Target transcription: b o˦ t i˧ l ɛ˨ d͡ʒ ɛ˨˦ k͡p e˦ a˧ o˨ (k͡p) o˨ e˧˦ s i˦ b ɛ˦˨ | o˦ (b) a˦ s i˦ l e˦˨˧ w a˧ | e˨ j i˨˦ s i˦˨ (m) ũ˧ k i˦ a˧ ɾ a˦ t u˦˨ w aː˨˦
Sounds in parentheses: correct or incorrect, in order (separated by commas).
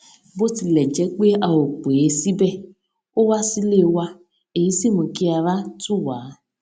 correct, incorrect, correct